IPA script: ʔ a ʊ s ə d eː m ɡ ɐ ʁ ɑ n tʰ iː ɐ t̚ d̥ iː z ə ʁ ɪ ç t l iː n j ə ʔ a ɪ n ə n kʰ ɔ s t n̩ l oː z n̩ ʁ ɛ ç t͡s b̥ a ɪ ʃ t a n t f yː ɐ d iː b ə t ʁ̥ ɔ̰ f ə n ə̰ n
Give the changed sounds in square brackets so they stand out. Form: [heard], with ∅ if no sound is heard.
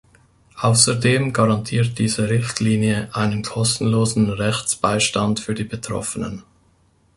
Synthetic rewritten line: ʔ a ʊ s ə d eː m ɡ [a] ʁ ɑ n tʰ iː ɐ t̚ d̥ iː z ə ʁ ɪ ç t l iː n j ə ʔ a ɪ n ə n kʰ ɔ s t n̩ l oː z n̩ ʁ ɛ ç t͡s b̥ a ɪ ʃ t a n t f yː ɐ d iː b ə t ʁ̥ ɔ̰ f ə n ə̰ n